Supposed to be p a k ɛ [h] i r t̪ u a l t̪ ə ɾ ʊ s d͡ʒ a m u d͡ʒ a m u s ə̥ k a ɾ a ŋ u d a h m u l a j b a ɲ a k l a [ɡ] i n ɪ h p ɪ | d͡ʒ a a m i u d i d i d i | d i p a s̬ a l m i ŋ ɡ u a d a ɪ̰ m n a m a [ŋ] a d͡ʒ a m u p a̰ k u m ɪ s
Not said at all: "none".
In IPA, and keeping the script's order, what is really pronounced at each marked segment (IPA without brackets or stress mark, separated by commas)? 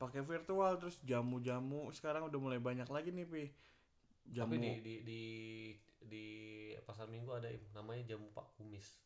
f, ɡ, ɲ